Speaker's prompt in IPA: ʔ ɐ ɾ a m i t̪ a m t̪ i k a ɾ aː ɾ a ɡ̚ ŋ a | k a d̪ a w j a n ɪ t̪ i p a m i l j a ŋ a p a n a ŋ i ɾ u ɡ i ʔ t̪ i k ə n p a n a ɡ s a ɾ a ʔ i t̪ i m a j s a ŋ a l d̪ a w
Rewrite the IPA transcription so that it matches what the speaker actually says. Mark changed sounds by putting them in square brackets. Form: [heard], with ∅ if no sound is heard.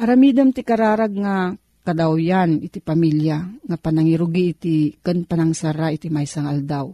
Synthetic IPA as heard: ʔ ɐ ɾ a m i [d̪] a m t̪ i k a ɾ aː ɾ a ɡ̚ ŋ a | k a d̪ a w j a n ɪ t̪ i p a m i l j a ŋ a p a n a ŋ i ɾ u ɡ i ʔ t̪ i k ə n p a n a [ŋ] s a ɾ a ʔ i t̪ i m a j s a ŋ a l d̪ a w